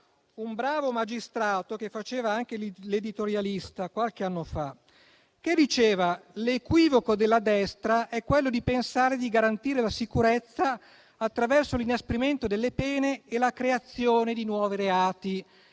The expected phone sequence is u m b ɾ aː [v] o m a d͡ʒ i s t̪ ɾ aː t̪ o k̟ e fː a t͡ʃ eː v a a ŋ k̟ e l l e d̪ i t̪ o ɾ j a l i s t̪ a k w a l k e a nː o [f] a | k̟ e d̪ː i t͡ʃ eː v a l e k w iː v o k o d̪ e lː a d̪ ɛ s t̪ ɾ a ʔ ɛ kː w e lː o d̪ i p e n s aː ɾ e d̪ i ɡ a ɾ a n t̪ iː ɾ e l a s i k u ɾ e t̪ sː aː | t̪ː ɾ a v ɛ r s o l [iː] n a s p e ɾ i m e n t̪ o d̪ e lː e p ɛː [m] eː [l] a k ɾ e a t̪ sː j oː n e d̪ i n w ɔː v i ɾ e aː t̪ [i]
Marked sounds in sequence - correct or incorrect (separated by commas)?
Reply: correct, correct, incorrect, incorrect, correct, correct